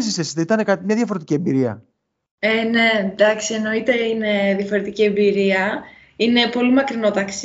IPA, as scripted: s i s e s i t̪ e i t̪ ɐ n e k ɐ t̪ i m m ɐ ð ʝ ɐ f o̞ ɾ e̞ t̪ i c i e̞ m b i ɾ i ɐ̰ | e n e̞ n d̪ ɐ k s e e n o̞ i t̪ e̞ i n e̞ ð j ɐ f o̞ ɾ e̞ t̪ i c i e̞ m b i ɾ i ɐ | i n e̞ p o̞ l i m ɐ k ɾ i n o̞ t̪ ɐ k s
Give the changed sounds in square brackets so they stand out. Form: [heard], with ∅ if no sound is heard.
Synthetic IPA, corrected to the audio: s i s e s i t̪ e i t̪ ɐ n e k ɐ t̪ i m [ɲ] ɐ ð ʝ ɐ f o̞ ɾ e̞ t̪ i c i e̞ m b i ɾ i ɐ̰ | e n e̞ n d̪ ɐ k s [i] e n o̞ i t̪ e̞ i n e̞ ð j ɐ f o̞ ɾ e̞ t̪ i c i e̞ m b i ɾ i ɐ | i n e̞ p o̞ l i m ɐ k ɾ i n o̞ t̪ ɐ k s